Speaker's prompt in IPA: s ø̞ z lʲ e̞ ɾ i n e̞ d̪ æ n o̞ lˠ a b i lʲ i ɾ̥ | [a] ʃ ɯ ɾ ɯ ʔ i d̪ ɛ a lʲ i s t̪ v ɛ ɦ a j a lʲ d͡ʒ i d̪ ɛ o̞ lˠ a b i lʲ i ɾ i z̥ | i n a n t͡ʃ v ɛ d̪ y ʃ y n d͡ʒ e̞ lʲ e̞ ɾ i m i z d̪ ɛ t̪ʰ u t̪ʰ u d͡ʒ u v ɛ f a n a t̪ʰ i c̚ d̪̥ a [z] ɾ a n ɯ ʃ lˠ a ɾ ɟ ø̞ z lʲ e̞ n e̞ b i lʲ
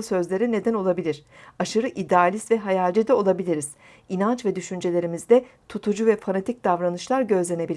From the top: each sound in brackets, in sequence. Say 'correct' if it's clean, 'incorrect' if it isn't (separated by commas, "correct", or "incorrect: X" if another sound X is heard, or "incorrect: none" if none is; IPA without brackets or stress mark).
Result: correct, incorrect: v